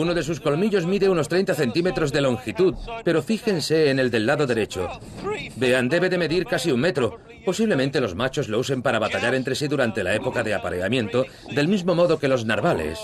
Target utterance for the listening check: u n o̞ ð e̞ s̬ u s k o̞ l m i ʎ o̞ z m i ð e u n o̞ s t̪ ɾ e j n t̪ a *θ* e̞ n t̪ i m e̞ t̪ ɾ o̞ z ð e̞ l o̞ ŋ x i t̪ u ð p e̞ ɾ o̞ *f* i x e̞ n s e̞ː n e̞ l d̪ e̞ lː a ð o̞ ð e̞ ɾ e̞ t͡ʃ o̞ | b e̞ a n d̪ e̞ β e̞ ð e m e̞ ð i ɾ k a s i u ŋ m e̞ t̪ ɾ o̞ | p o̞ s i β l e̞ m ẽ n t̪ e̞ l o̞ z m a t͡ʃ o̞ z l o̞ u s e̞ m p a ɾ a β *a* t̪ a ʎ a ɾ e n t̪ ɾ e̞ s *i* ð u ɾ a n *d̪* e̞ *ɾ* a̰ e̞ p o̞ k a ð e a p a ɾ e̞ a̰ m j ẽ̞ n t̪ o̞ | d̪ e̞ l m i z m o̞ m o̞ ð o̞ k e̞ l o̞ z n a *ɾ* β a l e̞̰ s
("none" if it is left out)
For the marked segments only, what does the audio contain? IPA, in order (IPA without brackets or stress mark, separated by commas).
θ, f, a, i, t̪, l, ɾ